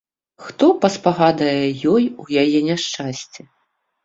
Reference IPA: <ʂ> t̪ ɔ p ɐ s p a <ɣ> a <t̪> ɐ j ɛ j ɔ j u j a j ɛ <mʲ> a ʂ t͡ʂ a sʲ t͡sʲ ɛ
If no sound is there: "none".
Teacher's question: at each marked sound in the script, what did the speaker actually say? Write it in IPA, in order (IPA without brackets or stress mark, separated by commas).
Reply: x, ɣ, d̪, nʲ